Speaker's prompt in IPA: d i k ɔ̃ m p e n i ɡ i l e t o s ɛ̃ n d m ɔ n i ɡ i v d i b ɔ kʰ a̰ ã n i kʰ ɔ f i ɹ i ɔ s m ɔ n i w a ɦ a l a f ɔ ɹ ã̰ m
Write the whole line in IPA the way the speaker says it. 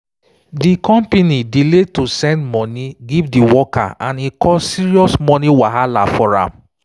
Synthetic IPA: d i k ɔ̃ m p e n i d i l e t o s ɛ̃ n d m ɔ n i ɡ i v d i w ɔ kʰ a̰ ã n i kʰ ɔ s i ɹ i ɔ s m ɔ n i w a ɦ a l a f ɔ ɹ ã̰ m